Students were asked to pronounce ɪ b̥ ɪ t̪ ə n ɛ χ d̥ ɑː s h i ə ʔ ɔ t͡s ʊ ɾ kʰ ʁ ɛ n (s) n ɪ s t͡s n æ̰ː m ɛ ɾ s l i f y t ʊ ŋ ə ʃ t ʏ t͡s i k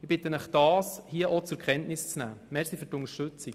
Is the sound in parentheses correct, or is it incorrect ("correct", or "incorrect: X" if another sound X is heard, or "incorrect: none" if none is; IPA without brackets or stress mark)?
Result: incorrect: t